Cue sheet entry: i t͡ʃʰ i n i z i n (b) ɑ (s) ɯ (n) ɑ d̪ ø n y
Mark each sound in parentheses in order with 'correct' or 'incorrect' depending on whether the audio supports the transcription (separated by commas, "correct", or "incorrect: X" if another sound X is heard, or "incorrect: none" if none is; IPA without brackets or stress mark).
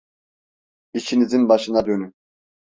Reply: correct, incorrect: ʃ, correct